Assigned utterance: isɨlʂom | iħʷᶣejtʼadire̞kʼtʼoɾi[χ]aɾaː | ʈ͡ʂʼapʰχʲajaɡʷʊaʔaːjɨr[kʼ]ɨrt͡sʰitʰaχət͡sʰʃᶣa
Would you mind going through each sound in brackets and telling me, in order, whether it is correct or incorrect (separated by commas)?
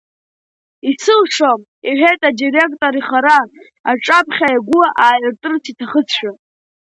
correct, incorrect